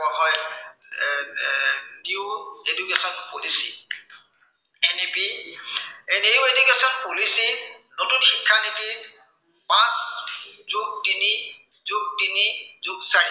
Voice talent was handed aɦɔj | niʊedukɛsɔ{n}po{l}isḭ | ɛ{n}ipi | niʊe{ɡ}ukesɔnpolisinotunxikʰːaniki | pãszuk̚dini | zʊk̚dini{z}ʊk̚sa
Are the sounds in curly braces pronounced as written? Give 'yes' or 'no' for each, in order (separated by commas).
yes, yes, yes, no, yes